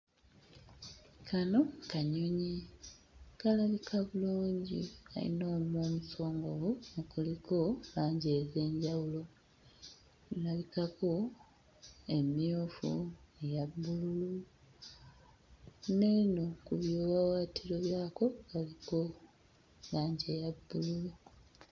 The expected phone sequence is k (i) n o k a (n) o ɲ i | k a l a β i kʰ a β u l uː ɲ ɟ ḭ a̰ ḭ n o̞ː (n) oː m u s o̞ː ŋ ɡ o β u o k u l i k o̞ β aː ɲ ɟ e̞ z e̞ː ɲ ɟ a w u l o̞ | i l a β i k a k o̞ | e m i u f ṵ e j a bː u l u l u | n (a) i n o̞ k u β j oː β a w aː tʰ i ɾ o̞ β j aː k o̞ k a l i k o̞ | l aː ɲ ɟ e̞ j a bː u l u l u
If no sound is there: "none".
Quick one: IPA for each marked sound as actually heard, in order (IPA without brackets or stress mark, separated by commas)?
a, ɲ, m, e